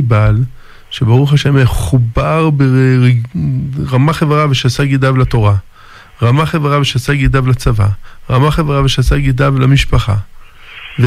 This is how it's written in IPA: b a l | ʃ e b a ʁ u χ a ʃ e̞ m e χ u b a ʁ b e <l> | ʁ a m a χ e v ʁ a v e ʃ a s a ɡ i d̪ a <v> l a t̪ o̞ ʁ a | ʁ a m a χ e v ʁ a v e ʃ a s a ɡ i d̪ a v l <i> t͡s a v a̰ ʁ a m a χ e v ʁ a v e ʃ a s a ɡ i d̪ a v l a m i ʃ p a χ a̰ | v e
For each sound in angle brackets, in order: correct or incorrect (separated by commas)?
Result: incorrect, correct, incorrect